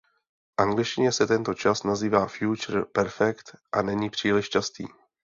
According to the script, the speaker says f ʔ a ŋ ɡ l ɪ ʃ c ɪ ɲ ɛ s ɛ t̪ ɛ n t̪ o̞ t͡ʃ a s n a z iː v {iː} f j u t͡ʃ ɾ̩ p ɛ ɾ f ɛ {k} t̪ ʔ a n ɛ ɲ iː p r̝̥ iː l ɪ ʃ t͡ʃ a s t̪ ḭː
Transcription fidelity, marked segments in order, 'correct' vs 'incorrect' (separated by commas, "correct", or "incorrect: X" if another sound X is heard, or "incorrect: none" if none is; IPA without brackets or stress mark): incorrect: aː, correct